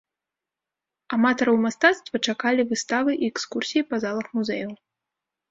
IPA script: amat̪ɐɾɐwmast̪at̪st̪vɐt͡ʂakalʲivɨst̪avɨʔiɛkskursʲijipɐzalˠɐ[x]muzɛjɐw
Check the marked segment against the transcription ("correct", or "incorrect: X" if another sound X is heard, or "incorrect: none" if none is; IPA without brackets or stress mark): correct